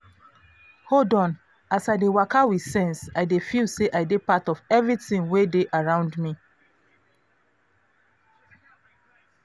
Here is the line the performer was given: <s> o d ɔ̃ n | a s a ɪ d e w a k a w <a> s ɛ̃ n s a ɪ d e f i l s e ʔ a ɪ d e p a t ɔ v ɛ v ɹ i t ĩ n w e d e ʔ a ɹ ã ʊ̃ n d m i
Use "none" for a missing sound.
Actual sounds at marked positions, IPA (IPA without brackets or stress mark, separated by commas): h, i